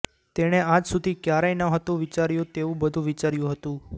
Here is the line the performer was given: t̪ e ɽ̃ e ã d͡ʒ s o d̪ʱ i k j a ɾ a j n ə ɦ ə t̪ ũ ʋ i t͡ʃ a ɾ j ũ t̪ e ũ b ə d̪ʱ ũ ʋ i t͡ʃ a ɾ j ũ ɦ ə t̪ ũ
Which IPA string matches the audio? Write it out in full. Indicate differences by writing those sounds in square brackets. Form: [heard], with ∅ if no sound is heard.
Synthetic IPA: t̪ e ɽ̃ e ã d͡ʒ s [u] d̪ʱ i k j a ɾ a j n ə ɦ ə t̪ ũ ʋ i t͡ʃ a ɾ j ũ t̪ e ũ b ə d̪ʱ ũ ʋ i t͡ʃ a ɾ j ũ ɦ ə t̪ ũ